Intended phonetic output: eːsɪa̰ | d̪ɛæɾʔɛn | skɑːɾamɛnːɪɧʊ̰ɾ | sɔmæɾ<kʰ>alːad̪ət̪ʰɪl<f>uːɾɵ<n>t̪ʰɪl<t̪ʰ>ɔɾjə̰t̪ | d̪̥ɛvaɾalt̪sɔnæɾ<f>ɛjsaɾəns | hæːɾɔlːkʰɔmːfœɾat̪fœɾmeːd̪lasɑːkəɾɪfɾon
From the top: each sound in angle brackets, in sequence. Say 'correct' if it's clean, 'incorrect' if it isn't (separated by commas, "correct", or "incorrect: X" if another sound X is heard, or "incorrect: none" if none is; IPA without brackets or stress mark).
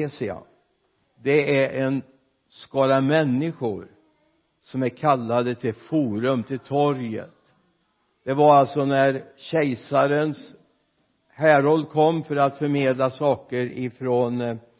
correct, correct, incorrect: m, correct, incorrect: ɕ